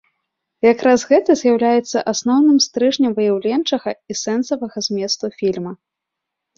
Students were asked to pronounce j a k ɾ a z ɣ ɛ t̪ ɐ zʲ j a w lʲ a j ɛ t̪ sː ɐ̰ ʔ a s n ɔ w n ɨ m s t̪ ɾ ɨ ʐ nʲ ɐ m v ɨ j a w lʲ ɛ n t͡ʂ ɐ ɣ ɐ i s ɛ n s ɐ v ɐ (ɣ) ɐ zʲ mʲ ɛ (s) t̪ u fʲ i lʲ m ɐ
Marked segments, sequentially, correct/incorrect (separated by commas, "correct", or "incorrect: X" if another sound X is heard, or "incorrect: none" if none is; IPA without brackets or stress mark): correct, correct